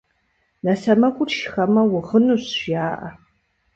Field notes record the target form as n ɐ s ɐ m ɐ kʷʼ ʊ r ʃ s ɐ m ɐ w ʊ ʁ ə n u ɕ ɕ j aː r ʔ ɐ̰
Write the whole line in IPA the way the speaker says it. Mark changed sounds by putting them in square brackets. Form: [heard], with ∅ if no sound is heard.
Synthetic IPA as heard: n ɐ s ɐ m ɐ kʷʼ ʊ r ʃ [x] ɐ m ɐ w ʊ ʁ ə n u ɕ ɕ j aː [∅] ʔ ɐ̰